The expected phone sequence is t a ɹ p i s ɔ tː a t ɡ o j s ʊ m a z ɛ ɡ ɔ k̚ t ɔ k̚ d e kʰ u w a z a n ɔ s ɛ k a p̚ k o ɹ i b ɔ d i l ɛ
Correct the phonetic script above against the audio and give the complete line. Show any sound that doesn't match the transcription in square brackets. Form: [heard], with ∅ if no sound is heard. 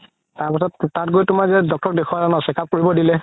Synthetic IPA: t a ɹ p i s ɔ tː a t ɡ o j [t] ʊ m a z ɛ [d] ɔ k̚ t ɔ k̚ d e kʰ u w a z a n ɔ s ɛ k a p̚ k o ɹ i b ɔ d i l ɛ